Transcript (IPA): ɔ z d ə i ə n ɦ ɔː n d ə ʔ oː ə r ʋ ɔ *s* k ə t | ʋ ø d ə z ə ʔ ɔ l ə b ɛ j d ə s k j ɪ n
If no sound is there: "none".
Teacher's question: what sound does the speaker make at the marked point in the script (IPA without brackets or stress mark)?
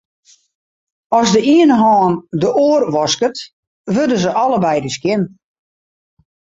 s